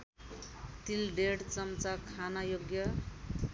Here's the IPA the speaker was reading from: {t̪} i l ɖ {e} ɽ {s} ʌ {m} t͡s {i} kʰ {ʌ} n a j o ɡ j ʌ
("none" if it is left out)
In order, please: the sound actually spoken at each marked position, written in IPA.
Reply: t̪, e, t͡s, m, a, a

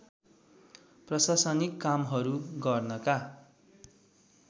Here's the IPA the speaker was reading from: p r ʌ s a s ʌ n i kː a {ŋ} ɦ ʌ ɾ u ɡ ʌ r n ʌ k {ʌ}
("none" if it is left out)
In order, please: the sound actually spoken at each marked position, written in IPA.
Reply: m, a

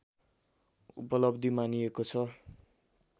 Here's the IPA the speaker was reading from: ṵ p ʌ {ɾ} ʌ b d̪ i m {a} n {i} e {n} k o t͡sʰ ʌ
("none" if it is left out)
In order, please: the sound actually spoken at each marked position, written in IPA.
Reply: l, a, i, none

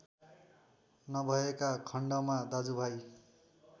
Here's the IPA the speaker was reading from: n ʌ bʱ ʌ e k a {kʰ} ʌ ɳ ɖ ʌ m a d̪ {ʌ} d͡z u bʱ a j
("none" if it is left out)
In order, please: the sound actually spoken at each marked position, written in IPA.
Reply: kʰ, a

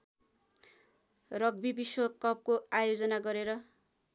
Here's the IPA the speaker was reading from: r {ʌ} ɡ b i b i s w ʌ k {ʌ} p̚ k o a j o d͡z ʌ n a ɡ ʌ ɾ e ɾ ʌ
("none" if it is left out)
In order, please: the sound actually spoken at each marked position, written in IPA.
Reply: ʌ, ʌ

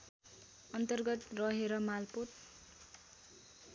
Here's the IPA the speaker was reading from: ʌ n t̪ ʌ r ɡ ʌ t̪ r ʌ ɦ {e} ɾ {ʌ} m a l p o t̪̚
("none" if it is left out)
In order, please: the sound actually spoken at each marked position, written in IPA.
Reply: e, ʌ

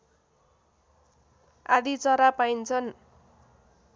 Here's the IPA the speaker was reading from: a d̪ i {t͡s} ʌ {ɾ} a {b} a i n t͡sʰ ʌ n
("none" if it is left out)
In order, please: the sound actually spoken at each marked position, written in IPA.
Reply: t͡s, ɾ, p

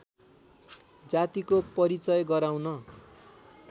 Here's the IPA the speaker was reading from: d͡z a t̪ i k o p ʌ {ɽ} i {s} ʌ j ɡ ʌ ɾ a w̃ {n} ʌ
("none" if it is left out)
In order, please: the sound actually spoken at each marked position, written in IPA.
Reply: ɾ, t͡s, n

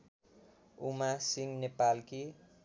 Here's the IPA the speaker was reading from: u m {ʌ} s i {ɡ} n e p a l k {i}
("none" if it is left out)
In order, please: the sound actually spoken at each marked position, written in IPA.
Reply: a, ŋ, i

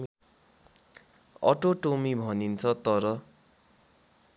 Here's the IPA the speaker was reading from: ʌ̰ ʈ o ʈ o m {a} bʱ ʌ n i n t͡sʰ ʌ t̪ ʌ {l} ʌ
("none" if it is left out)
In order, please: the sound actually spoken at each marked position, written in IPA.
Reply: i, ɾ

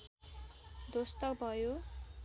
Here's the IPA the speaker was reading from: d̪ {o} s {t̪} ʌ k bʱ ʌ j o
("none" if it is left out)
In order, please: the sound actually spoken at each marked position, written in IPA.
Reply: o, t̪

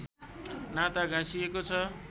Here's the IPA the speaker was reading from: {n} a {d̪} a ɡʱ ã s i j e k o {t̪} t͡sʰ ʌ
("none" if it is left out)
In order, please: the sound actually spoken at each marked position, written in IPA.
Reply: n, t̪, none

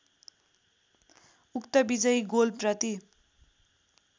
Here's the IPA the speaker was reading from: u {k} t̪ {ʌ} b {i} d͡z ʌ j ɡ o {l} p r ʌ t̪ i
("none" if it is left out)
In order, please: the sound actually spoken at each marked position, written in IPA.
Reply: k, ʌ, i, l

